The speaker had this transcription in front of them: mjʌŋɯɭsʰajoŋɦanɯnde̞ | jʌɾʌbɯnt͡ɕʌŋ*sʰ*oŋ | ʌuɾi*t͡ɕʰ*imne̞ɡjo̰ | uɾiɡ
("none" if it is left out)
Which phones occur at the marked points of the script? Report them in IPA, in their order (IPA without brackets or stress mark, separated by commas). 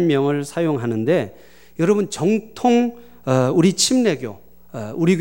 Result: tʰ, t͡ɕʰ